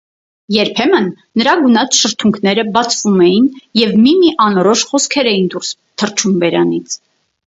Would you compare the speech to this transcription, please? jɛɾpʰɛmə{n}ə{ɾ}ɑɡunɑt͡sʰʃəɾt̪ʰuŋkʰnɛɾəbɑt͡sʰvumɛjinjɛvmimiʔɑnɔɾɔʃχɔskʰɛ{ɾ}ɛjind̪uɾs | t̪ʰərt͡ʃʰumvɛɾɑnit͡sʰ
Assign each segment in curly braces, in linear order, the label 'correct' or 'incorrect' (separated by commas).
incorrect, correct, correct